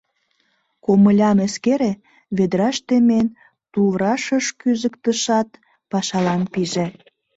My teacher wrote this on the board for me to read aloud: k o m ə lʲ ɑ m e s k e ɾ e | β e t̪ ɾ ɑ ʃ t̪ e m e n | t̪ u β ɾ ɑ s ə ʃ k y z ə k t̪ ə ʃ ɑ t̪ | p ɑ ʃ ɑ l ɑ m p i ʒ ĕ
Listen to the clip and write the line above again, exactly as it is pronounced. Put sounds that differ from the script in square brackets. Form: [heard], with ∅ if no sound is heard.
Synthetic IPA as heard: k o m ə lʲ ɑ m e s k e ɾ e | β e [d̪] ɾ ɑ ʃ t̪ e m e n | t̪ u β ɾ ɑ [ʃ] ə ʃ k y z ə k t̪ ə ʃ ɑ t̪ | p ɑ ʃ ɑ l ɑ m p i ʒ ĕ